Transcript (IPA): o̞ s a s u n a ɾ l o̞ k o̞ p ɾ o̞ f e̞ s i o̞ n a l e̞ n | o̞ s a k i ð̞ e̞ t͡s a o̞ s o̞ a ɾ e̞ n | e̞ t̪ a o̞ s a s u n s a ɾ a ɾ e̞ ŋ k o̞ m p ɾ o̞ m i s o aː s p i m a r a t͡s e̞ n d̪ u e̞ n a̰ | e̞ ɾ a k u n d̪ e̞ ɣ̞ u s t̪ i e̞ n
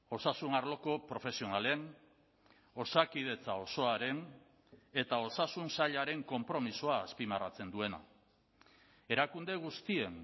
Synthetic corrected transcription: o̞ s a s u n a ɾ l o̞ k o̞ p ɾ o̞ f e̞ s i o̞ n a l e̞ n | o̞ s a k i ð̞ e̞ t͡s a o̞ s o̞ a ɾ e̞ n | e̞ t̪ a o̞ s a s u n s a ʎ a ɾ e̞ ŋ k o̞ m p ɾ o̞ m i s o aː s p i m a r a t͡s e̞ n d̪ u e̞ n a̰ | e̞ ɾ a k u n d̪ e̞ ɣ̞ u s t̪ i e̞ n